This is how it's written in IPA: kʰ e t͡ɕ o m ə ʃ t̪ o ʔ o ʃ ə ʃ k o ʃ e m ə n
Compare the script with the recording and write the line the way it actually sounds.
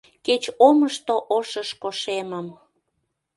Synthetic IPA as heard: k e t͡ɕ o m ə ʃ t̪ o ʔ o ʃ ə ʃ k o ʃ e m ə m